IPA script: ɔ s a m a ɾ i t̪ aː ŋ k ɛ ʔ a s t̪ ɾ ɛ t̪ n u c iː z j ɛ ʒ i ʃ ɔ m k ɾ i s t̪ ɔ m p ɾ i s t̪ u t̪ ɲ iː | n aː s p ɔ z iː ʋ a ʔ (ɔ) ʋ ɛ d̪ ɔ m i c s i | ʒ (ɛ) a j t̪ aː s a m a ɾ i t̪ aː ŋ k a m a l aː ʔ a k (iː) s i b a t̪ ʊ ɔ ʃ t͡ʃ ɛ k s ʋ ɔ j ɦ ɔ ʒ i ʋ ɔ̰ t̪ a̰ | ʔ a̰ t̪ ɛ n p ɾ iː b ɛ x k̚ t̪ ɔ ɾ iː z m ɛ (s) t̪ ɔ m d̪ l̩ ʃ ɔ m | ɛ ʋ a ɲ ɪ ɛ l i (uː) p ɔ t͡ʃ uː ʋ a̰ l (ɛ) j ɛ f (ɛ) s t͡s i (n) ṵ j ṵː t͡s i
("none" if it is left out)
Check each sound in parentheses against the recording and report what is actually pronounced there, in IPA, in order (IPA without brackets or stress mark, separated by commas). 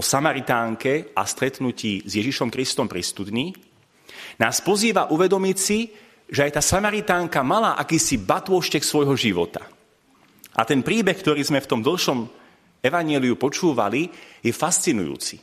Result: u, ɛ, iː, f, u, i, a, n